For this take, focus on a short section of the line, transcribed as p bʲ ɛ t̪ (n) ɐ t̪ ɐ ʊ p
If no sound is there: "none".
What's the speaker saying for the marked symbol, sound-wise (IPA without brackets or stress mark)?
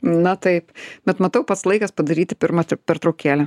m